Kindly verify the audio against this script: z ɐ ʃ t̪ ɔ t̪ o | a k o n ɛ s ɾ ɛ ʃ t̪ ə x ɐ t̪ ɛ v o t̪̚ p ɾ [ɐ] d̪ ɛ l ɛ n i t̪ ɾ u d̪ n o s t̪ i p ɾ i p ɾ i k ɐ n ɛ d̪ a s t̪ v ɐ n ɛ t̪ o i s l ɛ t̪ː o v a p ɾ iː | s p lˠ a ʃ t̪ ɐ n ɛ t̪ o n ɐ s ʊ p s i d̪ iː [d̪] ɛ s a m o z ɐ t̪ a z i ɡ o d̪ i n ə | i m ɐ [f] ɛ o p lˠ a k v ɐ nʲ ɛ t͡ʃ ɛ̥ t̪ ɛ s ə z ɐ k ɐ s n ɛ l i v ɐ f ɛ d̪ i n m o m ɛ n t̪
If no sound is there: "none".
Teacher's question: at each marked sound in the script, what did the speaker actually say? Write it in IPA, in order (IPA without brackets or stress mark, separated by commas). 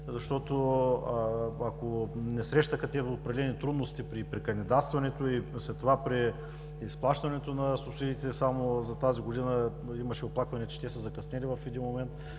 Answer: ɐ, t̪, ʃ